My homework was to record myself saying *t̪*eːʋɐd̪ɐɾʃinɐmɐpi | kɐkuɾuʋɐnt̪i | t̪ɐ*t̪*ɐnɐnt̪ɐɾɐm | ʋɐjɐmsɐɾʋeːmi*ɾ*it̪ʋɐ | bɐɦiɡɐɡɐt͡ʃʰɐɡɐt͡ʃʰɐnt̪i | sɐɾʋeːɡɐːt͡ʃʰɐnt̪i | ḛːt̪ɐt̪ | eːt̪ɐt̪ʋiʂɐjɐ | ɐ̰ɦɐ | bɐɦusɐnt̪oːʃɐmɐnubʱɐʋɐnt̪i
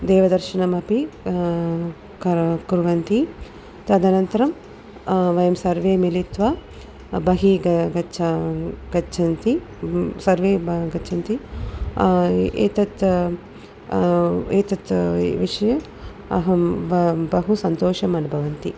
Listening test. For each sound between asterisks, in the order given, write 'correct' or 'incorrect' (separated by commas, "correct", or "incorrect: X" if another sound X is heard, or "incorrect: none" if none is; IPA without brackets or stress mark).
incorrect: d̪, incorrect: d̪, incorrect: l